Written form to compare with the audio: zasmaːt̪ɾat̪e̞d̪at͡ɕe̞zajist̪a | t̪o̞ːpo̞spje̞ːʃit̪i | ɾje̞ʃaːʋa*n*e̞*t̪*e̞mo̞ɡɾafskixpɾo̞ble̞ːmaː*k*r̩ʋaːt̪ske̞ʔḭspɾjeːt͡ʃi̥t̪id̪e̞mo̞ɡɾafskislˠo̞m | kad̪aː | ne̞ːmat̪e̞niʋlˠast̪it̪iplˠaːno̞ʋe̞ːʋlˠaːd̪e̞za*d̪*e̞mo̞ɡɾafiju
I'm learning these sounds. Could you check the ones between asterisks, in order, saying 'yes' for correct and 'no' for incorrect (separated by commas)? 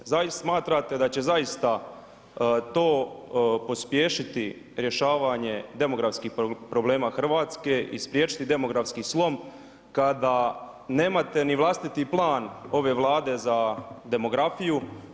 no, no, no, yes